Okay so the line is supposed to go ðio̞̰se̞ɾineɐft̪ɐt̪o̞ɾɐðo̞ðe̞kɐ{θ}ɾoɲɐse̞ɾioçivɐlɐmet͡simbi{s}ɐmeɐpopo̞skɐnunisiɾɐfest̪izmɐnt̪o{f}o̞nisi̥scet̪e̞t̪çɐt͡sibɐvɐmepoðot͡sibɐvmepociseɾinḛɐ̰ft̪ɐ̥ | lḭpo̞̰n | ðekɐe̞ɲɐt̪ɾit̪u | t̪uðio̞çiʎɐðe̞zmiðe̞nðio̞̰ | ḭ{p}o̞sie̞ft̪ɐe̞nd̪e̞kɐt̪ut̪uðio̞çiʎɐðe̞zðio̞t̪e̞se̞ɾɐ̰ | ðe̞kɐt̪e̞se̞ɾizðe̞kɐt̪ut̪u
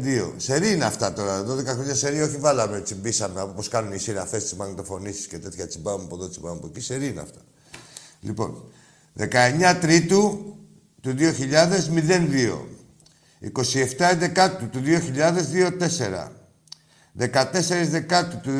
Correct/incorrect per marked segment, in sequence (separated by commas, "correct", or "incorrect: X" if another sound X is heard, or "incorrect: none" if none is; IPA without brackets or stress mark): incorrect: x, correct, correct, incorrect: k